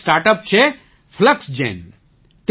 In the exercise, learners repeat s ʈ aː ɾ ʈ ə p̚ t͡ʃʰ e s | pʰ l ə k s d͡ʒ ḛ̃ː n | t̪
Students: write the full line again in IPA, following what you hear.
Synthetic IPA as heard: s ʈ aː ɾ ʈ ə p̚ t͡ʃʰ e | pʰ l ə k s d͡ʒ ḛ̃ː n | t̪